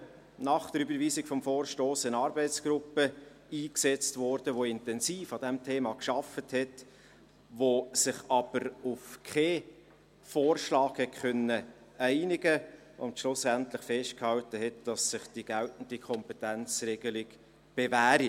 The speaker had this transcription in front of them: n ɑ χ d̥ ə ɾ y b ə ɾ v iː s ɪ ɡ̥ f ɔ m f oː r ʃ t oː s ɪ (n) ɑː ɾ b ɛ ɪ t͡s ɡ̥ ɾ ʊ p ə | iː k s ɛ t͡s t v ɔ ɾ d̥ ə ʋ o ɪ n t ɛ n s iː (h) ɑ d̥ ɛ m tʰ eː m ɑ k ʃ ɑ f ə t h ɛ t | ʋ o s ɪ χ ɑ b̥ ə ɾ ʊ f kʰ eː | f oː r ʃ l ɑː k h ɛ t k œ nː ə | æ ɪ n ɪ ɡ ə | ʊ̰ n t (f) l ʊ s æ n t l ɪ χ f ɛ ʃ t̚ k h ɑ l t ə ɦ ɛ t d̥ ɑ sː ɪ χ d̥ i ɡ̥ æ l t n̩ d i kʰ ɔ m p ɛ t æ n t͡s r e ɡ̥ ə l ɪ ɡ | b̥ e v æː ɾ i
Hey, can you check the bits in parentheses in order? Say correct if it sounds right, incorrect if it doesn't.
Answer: correct, incorrect: f, incorrect: ʃ

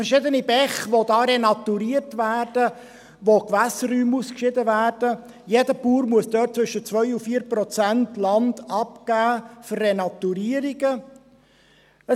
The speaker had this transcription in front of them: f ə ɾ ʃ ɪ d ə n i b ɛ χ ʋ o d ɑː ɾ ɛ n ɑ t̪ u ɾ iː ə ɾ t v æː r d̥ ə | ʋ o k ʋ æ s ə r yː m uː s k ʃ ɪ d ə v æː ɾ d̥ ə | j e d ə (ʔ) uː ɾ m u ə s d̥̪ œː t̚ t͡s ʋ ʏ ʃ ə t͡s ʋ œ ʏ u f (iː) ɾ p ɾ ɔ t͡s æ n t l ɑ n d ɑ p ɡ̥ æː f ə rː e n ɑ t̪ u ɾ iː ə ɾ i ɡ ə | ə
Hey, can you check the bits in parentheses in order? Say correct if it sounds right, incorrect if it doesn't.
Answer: incorrect: p, correct

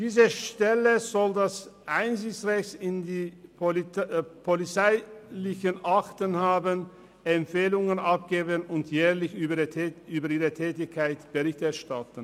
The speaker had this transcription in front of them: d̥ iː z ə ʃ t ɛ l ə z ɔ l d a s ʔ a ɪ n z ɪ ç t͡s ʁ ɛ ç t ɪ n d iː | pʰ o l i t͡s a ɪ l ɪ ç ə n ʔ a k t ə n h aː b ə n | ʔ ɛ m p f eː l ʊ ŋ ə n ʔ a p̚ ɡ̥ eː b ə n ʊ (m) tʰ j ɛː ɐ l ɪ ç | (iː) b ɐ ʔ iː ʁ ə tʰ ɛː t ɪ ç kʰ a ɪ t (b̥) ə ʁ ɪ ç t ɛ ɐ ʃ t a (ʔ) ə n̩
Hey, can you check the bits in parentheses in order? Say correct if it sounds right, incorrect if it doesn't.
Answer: incorrect: n, incorrect: yː, correct, incorrect: t

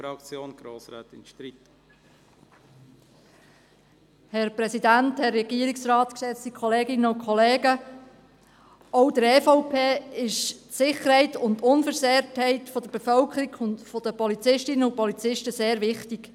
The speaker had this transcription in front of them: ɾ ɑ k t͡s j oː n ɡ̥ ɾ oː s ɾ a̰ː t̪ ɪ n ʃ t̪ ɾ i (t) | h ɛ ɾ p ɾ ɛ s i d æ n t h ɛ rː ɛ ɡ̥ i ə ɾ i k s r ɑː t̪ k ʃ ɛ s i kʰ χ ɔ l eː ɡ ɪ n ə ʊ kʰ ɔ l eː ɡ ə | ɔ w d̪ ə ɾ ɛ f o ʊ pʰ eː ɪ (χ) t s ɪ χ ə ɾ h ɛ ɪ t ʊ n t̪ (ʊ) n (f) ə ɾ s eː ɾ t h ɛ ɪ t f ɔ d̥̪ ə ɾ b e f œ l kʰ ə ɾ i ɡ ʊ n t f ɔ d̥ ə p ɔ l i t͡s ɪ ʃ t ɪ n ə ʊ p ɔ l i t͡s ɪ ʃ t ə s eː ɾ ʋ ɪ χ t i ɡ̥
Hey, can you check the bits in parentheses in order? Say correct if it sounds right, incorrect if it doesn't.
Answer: correct, incorrect: ʃ, correct, correct

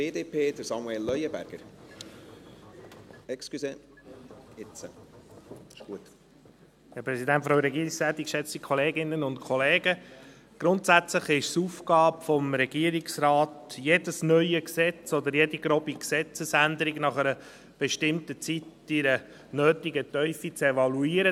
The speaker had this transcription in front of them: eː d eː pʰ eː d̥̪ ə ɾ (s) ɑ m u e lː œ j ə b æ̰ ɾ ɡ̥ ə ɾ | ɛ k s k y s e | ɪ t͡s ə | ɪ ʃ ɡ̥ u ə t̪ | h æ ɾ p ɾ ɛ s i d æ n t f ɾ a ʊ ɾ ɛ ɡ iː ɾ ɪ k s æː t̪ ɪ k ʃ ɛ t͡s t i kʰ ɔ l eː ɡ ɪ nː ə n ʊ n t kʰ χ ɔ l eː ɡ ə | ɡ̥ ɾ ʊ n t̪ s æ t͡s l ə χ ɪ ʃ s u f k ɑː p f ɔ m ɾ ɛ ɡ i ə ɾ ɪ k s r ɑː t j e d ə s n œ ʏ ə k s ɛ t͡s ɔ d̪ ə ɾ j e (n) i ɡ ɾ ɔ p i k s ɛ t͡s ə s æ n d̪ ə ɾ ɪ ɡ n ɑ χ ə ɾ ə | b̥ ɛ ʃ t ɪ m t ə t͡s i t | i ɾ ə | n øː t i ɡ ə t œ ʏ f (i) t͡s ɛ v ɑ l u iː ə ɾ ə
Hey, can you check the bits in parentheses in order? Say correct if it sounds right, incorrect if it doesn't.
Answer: correct, incorrect: d, correct

